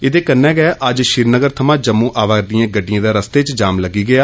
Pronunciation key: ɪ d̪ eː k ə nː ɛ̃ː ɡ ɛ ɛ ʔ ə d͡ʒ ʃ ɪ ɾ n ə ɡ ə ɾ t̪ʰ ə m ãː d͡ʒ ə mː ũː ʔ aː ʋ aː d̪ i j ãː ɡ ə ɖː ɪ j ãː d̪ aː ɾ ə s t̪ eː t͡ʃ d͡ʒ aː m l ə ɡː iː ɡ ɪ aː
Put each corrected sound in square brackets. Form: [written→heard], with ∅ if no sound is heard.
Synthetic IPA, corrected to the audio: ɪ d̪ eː k ə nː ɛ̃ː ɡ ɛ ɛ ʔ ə d͡ʒ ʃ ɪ ɾ n ə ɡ ə ɾ t̪ʰ ə m ãː d͡ʒ ə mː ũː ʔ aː ʋ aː d̪ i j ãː ɡ ə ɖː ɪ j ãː d̪ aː ɾ ə s t̪ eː t͡ʃ d͡ʒ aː m l ə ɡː iː ɡ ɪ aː

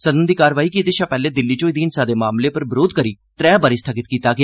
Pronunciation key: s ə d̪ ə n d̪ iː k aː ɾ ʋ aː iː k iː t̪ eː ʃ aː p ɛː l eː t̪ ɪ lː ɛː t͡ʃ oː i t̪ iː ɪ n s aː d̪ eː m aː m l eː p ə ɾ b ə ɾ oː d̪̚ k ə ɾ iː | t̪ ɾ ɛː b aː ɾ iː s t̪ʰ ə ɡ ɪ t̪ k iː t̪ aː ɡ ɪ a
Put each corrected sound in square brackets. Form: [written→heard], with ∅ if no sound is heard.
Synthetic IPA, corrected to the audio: s ə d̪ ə n d̪ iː k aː ɾ ʋ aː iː k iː t̪ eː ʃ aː p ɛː l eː [t̪→d̪] ɪ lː [ɛː→iː] t͡ʃ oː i [t̪→d̪] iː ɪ n s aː d̪ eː m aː m l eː p ə ɾ b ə ɾ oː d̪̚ k ə ɾ iː | t̪ ɾ ɛː b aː ɾ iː s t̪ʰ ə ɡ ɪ t̪ k iː t̪ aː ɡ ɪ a

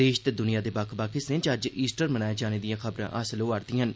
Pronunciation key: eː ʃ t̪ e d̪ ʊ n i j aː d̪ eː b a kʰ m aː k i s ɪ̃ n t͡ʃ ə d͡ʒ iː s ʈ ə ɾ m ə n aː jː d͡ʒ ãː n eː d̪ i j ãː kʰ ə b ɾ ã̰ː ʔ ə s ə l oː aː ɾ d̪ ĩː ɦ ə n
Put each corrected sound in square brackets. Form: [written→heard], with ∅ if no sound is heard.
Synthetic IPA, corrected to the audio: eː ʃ t̪ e d̪ ʊ n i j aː d̪ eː b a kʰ [m→b] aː k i s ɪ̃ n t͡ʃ ə d͡ʒ iː s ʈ ə ɾ m ə n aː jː d͡ʒ [ãː→aː] n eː d̪ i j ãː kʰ ə b ɾ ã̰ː ʔ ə s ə l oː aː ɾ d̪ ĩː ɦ ə n

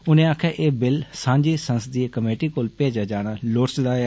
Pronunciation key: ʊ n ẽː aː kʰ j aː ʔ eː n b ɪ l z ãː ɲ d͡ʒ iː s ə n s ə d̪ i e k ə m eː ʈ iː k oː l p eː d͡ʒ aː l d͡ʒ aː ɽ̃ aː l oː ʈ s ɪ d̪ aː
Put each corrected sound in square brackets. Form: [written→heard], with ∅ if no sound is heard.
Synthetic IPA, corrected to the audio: ʊ n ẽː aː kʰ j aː ʔ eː [n→∅] b ɪ l [z→s] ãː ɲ d͡ʒ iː s ə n s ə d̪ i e k ə m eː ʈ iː k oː l p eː d͡ʒ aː [l→∅] d͡ʒ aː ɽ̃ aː l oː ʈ s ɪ d̪ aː

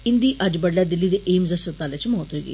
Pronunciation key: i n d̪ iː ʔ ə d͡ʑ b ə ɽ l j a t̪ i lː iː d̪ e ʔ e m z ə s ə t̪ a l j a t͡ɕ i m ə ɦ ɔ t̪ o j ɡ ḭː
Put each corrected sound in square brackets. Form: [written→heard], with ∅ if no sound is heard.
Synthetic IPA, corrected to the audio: i n d̪ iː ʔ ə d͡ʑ b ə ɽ l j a [t̪→d̪] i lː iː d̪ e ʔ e m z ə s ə t̪ a l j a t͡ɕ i m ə ɦ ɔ t̪ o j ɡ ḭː

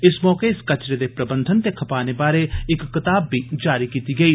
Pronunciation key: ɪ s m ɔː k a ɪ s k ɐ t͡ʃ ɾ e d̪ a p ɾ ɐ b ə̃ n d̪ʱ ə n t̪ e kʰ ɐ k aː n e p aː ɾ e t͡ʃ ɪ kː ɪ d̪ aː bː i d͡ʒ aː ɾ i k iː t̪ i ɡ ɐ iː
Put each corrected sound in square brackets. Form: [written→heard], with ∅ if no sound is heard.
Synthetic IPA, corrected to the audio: ɪ s m ɔː k [a→e] ɪ s k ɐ t͡ʃ ɾ e d̪ [a→e] p ɾ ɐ b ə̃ n d̪ʱ ə n t̪ e kʰ ɐ [k→p] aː n e [p→b] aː ɾ e [t͡ʃ→∅] ɪ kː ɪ [d̪→t̪] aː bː i d͡ʒ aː ɾ i k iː t̪ i ɡ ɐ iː

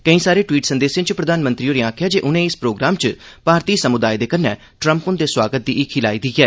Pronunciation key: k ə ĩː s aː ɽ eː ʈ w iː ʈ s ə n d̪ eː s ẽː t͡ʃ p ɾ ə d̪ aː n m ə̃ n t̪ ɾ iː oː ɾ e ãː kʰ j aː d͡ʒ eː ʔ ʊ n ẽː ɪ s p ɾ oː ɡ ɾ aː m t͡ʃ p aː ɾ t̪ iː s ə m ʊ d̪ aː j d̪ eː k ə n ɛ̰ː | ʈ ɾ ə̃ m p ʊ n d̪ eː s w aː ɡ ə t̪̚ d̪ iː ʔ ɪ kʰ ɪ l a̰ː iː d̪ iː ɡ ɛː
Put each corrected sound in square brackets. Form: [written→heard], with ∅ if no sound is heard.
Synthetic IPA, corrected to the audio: k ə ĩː s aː [ɽ→ɾ] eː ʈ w iː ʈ s ə n d̪ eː s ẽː t͡ʃ p ɾ ə d̪ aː n m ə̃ n t̪ ɾ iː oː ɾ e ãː kʰ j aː d͡ʒ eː ʔ ʊ n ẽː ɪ s p ɾ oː ɡ ɾ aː m t͡ʃ p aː ɾ t̪ iː s ə m ʊ d̪ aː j d̪ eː k ə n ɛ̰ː | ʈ ɾ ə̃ m p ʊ n d̪ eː s w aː ɡ ə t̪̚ d̪ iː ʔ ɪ kʰ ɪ l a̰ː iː d̪ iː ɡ ɛː

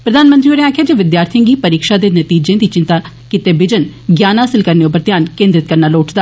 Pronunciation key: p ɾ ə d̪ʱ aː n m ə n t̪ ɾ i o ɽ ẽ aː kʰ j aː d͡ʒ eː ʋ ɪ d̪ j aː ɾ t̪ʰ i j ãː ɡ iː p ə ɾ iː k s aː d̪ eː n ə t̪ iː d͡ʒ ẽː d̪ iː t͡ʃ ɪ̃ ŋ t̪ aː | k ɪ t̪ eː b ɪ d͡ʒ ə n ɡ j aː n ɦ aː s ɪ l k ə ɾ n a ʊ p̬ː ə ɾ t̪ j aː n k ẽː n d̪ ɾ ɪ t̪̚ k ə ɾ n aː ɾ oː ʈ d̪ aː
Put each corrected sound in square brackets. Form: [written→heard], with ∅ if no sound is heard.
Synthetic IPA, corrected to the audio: p ɾ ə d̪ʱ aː n m ə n t̪ ɾ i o [ɽ→ɾ] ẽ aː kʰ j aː d͡ʒ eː ʋ ɪ d̪ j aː ɾ t̪ʰ i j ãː ɡ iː p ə ɾ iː k [s→ʃ] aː d̪ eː n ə t̪ iː d͡ʒ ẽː d̪ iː t͡ʃ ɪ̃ [ŋ→n] t̪ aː | k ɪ t̪ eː b ɪ d͡ʒ ə n ɡ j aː n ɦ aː s ɪ l k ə ɾ n [a→e] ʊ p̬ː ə ɾ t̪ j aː n k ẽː n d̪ ɾ ɪ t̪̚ k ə ɾ n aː [ɾ→l] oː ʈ d̪ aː

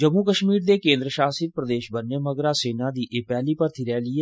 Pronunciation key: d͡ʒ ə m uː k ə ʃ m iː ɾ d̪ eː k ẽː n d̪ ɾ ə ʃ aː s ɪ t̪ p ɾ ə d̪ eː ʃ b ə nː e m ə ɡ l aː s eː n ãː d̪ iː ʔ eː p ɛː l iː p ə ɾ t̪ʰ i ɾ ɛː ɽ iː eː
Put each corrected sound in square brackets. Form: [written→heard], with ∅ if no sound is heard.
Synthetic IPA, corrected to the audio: d͡ʒ ə m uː k ə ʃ m iː ɾ d̪ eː k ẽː n d̪ ɾ ə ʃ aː s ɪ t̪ p ɾ ə d̪ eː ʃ b ə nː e m ə ɡ [l→ɾ] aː s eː n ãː d̪ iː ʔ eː p ɛː l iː p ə ɾ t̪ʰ i ɾ ɛː [ɽ→l] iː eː

